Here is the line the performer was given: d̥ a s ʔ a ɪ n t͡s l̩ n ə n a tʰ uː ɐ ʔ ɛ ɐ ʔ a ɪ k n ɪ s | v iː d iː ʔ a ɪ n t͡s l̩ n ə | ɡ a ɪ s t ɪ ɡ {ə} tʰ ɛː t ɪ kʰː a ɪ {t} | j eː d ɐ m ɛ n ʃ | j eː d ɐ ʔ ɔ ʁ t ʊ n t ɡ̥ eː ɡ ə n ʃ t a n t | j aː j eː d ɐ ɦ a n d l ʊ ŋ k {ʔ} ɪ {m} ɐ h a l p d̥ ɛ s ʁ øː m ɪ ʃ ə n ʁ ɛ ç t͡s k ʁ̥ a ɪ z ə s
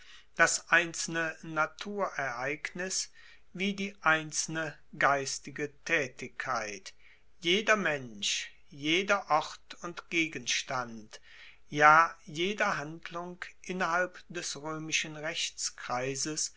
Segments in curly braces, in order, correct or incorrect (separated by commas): correct, correct, correct, incorrect